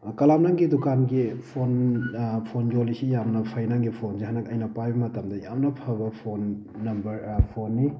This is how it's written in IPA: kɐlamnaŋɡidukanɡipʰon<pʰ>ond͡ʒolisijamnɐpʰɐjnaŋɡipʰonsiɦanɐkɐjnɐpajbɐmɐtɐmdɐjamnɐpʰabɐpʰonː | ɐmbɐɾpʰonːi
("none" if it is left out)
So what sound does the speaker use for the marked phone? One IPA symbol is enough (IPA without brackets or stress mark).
pʰ